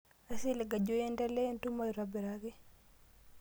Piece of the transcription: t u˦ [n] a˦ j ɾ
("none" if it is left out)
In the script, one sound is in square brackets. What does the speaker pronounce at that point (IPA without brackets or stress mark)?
m